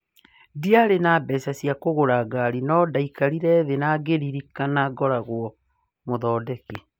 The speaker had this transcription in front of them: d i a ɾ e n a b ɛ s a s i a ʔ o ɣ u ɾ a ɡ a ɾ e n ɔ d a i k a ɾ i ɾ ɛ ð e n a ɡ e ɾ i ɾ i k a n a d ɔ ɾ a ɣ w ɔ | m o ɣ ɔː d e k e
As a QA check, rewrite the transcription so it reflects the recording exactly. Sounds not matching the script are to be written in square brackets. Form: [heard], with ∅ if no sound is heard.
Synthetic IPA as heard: d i a ɾ e n a b ɛ s a s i a [k] o ɣ [o] ɾ a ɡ a ɾ [i] n ɔ d a i k a ɾ i ɾ ɛ ð e n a ɡ e ɾ i ɾ i k a n a [ɡ] ɔ ɾ a ɣ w ɔ | m o [ð] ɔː d [ɛ] k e